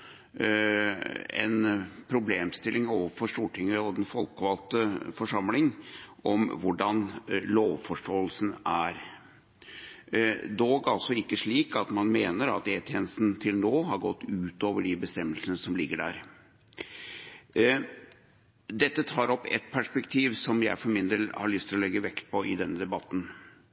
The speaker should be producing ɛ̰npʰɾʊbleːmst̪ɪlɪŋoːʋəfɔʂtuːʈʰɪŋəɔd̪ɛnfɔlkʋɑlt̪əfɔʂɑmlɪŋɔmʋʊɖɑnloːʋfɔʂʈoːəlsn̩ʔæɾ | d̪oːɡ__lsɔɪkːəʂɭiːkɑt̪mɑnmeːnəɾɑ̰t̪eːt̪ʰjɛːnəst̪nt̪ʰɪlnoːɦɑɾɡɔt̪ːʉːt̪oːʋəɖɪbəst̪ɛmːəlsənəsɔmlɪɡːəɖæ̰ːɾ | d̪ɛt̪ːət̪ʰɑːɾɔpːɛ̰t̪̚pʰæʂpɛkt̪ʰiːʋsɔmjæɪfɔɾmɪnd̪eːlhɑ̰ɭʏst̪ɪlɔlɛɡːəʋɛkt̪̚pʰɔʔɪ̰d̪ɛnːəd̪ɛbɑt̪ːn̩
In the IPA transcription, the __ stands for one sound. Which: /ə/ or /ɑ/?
ɑ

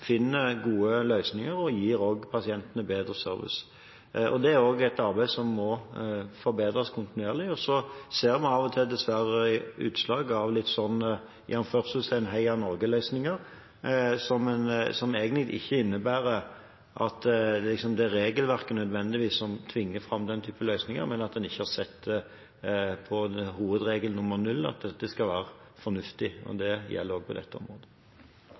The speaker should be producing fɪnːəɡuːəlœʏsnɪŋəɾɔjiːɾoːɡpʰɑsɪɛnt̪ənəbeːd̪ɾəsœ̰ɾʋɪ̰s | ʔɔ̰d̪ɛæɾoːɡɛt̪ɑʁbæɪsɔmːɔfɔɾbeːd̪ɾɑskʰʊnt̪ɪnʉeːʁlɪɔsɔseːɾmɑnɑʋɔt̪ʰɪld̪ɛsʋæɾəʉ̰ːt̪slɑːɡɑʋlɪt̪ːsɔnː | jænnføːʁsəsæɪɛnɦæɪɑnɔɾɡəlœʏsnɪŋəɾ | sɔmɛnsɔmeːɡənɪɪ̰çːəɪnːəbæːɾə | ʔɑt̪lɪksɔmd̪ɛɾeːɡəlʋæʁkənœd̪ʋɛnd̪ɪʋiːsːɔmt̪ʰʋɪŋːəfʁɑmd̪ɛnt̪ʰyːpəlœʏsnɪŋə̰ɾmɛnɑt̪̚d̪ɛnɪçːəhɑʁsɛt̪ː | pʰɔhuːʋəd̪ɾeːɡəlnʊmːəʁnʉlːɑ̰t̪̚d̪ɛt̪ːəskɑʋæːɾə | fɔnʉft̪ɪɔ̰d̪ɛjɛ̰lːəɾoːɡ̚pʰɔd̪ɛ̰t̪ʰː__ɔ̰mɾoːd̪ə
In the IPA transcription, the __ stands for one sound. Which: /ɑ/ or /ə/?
ə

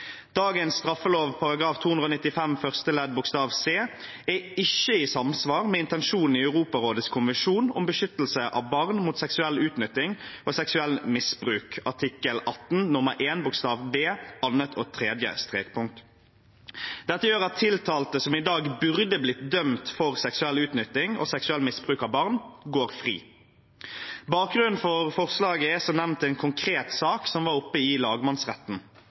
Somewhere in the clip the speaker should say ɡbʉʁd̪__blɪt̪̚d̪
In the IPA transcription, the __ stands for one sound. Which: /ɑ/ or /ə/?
ə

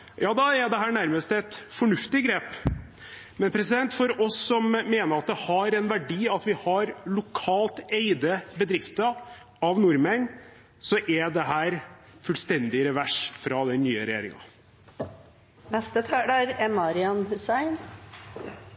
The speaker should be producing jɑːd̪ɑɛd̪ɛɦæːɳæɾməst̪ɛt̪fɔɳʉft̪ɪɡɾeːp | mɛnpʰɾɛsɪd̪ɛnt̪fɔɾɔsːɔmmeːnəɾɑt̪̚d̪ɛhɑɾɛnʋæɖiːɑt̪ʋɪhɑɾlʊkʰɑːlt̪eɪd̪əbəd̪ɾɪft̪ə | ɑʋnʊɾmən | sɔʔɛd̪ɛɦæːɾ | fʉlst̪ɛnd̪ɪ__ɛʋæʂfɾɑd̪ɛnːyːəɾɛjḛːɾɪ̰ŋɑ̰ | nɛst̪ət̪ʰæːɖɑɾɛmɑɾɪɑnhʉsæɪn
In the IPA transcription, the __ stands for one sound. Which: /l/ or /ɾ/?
ɾ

